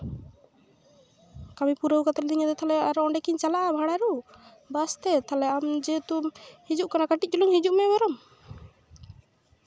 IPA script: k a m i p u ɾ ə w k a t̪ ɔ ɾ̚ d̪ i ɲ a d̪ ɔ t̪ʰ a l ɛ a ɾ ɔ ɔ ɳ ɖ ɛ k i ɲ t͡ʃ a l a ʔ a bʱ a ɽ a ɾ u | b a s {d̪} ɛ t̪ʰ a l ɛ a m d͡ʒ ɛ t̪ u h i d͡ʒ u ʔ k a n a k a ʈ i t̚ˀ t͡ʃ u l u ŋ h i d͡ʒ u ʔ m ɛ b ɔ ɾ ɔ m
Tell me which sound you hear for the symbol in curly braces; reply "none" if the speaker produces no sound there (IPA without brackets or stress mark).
t̪